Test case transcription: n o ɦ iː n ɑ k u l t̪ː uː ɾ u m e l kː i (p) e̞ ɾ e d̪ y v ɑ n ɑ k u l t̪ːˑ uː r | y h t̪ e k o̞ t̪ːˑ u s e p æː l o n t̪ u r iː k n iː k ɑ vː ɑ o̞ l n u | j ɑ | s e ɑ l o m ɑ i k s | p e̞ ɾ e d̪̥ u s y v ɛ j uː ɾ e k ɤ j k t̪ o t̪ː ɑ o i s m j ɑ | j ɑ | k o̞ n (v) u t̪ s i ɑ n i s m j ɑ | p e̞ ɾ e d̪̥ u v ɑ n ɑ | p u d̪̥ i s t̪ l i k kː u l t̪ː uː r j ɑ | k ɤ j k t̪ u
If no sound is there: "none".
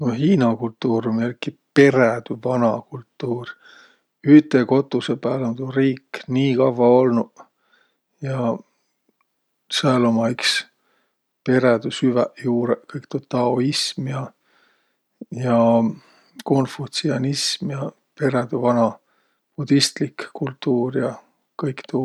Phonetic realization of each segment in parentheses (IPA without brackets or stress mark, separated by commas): p, f